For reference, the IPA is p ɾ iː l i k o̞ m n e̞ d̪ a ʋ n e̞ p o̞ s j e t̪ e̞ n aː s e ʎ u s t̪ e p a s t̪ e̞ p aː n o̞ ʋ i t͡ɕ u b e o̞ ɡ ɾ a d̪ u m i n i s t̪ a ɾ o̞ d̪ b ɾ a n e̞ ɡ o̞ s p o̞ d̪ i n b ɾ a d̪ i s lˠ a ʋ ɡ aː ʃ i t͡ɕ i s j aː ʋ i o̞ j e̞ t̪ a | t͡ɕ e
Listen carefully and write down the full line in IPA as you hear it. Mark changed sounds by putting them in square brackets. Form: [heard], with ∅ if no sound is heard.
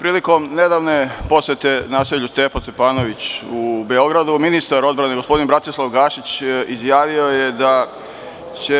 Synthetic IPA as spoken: p ɾ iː l i k o̞ m n e̞ d̪ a ʋ n e̞ p o̞ s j e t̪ e̞ n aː s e ʎ u s t̪ e p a s t̪ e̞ p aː n o̞ ʋ i t͡ɕ u b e o̞ ɡ ɾ a d̪ u m i n i s t̪ a ɾ o̞ d̪ b ɾ a n e̞ ɡ o̞ s p o̞ d̪ i n b ɾ a [t̪] i s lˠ a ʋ ɡ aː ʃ i t͡ɕ i [z] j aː ʋ i o̞ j e̞ [d̪] a | t͡ɕ e